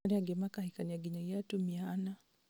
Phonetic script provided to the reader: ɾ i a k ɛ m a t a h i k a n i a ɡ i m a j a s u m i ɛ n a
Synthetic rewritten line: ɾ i a ɡ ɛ m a k a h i k a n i a ɡ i ɲ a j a t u m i a n a